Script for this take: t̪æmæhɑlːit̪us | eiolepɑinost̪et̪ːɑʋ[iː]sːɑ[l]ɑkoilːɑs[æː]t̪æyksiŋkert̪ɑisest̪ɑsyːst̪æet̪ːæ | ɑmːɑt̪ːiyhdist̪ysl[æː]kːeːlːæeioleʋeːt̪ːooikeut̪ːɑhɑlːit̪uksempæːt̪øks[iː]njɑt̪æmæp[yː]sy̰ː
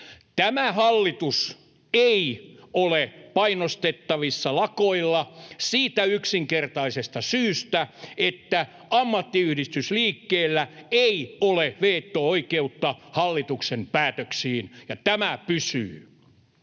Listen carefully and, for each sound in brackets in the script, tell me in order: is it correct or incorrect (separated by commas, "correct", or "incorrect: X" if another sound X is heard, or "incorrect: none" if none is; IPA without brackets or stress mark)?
incorrect: i, correct, incorrect: iː, incorrect: iː, correct, incorrect: y